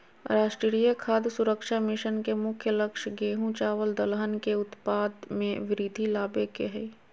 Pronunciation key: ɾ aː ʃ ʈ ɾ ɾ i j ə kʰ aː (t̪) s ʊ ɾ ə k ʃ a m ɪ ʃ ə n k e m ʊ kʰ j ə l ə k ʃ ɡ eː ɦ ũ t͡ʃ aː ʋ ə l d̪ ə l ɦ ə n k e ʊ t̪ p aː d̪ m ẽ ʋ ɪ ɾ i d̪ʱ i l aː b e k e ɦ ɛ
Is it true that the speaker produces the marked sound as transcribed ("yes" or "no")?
no